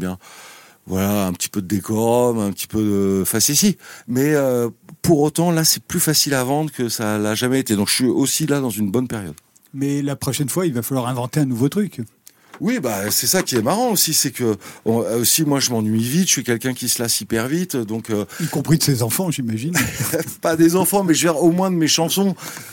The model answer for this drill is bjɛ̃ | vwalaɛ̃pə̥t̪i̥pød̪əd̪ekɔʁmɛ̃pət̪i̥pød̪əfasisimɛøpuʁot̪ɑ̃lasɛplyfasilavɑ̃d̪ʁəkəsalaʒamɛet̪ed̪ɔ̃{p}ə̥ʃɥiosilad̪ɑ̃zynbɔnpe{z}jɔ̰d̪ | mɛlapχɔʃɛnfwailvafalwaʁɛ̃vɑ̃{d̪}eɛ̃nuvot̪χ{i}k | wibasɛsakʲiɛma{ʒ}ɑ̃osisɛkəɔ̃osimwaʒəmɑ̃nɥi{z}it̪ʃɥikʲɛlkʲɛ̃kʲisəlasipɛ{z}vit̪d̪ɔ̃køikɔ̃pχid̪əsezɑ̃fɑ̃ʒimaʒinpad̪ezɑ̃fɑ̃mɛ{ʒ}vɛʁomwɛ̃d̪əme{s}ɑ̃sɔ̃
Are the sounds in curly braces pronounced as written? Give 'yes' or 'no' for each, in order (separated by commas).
no, no, no, no, no, no, no, yes, no